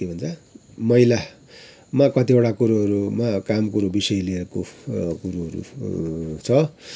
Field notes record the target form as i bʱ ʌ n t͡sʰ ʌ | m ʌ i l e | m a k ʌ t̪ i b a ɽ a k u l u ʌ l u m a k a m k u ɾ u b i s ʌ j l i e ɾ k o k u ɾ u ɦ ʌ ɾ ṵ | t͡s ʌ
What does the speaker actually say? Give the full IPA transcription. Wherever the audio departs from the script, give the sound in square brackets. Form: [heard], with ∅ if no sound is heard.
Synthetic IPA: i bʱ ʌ n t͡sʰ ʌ | m ʌ i l [a] | m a k ʌ t̪ i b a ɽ a k u [ɾ] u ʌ [ɾ] u m a k a m k u ɾ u b i s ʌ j l i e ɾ k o k u ɾ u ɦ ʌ ɾ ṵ | [t͡sʰ] ʌ